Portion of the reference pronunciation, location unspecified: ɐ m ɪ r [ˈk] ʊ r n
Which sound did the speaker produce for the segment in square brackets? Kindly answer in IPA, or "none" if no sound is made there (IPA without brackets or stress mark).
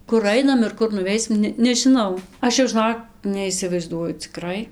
k